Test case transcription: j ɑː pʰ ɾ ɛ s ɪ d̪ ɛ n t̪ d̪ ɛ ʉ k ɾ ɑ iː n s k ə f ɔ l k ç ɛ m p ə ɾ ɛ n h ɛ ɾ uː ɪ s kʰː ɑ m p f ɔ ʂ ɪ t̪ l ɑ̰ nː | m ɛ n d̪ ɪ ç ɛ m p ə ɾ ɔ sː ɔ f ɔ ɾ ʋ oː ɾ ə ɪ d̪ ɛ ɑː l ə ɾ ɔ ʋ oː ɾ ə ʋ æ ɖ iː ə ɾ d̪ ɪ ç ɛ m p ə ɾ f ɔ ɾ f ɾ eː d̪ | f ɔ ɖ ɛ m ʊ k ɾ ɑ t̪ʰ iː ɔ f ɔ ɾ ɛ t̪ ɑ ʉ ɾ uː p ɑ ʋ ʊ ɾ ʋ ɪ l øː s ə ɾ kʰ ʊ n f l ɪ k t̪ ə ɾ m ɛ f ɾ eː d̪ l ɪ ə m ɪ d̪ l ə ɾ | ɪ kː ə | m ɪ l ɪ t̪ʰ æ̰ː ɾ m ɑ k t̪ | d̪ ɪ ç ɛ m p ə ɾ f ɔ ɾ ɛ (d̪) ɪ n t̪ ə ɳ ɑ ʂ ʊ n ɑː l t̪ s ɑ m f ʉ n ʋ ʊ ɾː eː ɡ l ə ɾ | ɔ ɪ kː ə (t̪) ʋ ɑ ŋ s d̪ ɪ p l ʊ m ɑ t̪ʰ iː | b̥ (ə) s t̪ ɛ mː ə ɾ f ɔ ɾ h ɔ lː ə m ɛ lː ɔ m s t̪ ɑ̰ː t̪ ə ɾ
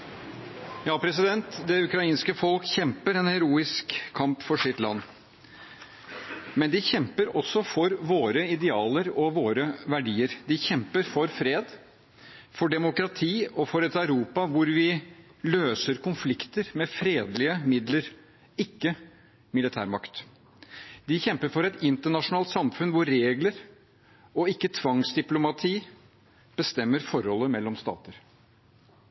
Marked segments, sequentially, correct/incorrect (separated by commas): incorrect, incorrect, correct